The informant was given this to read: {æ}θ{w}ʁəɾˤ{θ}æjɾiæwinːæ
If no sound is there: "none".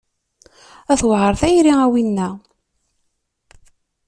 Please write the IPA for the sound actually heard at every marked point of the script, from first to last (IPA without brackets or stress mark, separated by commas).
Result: æ, w, θ